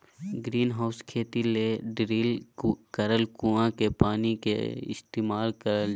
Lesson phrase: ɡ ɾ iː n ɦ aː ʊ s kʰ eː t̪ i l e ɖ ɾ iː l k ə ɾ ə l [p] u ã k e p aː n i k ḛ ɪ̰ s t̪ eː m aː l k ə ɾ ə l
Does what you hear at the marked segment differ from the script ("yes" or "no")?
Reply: yes